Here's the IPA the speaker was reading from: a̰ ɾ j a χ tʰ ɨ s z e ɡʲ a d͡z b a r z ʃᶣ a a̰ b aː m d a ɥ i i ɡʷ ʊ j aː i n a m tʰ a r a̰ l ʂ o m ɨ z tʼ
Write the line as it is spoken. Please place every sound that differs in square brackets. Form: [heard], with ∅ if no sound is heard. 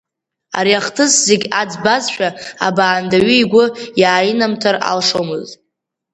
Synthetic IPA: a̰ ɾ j a χ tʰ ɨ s z e ɡʲ a d͡z b a [∅] z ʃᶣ a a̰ b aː [n] d a ɥ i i ɡʷ ʊ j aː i n a m tʰ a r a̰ l ʂ o m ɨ z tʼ